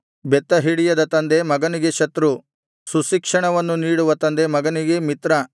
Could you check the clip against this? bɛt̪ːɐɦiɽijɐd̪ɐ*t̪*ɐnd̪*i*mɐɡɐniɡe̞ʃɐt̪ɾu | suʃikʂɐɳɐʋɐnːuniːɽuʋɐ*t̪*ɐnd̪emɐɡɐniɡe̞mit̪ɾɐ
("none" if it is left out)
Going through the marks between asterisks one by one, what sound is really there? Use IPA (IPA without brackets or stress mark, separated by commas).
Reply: t̪, e, t̪